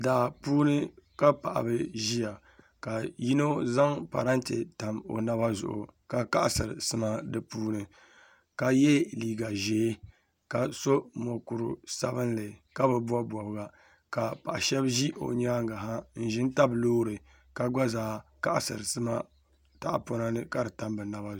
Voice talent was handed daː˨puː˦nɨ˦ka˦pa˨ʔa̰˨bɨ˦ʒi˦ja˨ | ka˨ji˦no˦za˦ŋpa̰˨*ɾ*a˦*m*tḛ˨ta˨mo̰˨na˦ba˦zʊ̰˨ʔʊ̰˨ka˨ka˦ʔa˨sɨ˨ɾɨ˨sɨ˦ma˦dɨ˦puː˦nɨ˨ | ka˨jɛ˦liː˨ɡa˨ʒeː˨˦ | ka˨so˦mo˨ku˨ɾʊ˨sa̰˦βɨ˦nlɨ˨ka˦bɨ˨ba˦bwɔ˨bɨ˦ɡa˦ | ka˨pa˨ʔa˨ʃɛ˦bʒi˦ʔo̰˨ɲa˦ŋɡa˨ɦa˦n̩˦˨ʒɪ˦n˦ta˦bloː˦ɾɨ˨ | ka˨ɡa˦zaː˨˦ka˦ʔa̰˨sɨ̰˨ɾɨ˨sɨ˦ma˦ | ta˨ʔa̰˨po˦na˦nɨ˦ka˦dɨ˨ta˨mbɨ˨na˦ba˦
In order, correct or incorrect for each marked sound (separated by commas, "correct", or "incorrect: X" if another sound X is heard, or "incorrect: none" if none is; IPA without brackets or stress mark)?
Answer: correct, incorrect: n